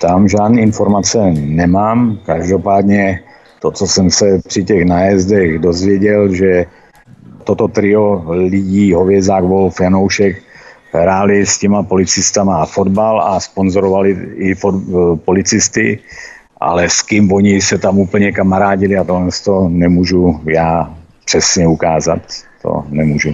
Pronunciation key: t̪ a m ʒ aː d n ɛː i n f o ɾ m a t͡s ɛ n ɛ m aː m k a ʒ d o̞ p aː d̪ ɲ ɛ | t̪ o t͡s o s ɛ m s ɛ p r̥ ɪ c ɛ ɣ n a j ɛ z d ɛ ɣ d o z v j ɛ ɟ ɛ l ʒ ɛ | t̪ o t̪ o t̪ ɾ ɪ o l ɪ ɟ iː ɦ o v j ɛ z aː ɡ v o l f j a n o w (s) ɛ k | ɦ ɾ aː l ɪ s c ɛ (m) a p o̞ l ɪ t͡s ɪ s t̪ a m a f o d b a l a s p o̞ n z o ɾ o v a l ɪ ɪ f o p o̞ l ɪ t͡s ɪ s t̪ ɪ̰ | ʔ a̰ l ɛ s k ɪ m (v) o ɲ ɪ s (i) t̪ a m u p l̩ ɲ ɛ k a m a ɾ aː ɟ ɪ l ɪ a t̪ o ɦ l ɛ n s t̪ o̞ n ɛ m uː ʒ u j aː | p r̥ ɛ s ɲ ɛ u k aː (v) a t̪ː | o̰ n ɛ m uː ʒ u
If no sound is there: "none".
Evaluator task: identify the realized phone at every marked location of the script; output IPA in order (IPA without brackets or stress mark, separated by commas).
ʃ, m, v, ɛ, z